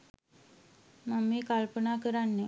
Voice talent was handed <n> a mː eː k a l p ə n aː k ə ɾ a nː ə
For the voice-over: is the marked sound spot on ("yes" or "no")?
no